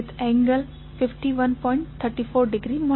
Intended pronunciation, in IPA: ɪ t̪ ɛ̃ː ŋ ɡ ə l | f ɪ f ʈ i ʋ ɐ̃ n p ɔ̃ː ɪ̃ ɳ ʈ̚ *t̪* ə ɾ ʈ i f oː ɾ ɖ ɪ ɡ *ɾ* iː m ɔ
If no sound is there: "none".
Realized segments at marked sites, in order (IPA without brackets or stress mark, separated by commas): t̪ʰ, ɾ